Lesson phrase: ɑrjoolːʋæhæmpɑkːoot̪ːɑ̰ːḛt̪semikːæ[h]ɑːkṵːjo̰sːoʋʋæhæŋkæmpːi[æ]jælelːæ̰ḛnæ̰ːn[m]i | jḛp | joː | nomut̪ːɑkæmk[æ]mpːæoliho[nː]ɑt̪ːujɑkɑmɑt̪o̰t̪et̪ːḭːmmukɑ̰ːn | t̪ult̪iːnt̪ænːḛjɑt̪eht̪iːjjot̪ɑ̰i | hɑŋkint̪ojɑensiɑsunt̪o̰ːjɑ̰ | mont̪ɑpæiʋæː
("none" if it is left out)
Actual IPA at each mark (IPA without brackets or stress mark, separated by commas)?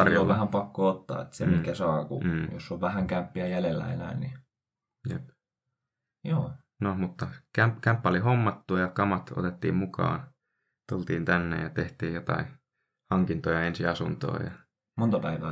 s, æ, n, æ, mː